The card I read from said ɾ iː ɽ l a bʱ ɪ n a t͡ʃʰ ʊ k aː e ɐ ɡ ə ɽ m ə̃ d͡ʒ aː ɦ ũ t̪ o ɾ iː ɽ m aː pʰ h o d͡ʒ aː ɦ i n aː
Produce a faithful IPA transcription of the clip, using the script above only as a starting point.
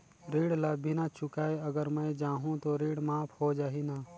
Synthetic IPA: ɾ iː ɽ l a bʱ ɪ n a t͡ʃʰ ʊ k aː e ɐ ɡ ə ɾ m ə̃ d͡ʒ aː ɦ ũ t̪ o ɾ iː ɽ m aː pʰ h o d͡ʒ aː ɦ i n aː